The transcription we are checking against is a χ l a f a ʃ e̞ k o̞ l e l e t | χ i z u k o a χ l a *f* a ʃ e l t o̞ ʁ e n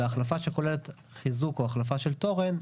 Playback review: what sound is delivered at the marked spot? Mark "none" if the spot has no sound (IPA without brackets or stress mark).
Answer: f